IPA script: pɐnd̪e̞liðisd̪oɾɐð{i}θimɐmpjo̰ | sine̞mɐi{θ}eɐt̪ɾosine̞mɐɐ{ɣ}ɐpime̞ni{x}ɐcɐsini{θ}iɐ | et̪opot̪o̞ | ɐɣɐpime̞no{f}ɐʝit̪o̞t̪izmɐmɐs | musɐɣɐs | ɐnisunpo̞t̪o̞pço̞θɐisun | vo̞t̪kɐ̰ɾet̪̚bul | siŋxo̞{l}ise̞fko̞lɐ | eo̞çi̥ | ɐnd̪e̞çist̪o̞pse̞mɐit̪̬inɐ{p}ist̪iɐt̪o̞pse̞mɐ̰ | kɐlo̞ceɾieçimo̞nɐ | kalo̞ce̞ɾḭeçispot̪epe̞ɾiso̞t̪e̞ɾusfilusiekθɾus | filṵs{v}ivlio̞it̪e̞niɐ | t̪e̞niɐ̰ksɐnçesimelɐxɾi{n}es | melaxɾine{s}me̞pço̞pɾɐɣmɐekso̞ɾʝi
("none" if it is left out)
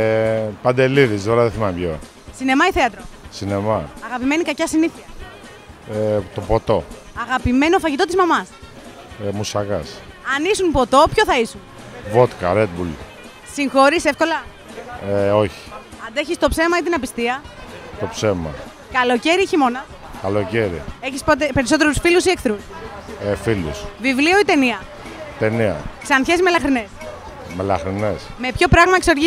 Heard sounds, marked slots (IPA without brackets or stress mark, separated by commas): e, θ, ɣ, k, θ, f, ɾ, p, v, n, s